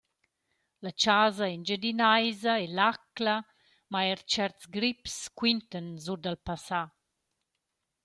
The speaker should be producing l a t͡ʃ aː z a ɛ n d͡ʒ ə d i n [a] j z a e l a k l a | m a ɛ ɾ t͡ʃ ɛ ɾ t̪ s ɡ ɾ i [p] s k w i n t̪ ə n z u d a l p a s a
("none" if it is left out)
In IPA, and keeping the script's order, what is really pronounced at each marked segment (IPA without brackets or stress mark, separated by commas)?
a, p